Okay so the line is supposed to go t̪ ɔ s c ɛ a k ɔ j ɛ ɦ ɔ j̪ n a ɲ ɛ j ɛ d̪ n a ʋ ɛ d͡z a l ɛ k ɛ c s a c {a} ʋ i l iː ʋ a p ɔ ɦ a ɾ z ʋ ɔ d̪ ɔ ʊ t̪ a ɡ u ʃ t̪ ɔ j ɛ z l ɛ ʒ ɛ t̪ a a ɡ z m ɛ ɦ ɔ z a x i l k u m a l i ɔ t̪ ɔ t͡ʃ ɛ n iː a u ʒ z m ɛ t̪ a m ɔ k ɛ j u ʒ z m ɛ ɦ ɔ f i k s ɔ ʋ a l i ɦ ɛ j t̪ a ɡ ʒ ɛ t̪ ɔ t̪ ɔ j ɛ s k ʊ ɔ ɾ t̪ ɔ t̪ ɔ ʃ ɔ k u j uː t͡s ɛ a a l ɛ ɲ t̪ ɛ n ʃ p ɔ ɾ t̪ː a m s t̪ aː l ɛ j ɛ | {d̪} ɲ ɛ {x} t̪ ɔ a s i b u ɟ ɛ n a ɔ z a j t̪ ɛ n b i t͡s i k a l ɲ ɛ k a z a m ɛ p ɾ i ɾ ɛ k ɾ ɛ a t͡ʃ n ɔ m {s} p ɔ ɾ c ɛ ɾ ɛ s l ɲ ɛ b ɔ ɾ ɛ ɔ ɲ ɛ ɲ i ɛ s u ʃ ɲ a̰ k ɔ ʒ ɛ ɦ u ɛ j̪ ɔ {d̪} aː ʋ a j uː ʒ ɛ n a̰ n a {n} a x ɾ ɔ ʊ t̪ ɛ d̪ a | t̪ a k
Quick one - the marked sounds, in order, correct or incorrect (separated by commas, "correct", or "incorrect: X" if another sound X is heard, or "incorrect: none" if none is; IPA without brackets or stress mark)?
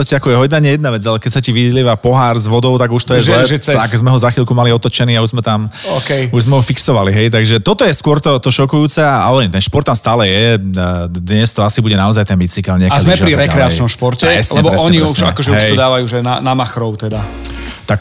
incorrect: i, correct, incorrect: s, incorrect: ʃ, correct, incorrect: m